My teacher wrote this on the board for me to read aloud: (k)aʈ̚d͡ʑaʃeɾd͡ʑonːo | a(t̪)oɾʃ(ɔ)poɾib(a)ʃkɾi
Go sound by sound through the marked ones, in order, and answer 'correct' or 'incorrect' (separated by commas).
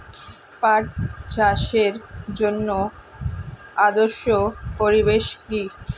incorrect, incorrect, incorrect, incorrect